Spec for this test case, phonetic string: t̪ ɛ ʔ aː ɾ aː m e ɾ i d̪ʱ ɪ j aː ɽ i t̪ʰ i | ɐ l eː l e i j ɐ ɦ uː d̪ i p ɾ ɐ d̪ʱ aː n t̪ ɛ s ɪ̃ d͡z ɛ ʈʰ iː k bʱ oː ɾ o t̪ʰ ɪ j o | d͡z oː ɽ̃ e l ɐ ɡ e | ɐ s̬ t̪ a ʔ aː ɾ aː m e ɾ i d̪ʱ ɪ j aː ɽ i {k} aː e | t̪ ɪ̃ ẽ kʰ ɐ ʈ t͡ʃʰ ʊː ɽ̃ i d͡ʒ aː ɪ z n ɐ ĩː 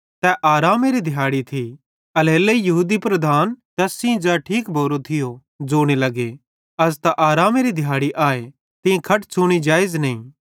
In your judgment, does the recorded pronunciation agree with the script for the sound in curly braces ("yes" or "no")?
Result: no